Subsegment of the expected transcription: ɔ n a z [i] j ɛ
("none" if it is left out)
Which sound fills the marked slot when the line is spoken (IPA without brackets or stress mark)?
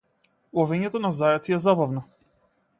a